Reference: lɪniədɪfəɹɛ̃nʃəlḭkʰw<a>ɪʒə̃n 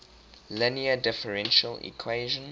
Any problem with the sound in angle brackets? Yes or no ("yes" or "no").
yes